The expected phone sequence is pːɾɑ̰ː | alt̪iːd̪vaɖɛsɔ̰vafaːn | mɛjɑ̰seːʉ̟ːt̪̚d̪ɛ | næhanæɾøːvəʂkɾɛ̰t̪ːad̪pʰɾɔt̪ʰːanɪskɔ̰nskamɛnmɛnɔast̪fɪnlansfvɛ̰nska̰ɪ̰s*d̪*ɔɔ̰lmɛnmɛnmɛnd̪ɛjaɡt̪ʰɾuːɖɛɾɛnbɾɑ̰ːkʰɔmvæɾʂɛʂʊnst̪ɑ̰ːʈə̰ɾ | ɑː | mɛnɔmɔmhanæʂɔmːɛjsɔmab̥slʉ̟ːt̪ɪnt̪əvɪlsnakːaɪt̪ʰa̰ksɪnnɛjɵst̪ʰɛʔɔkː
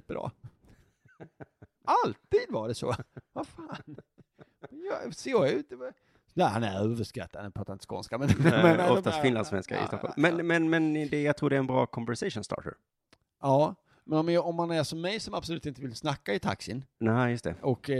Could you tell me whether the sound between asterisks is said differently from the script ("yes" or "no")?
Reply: yes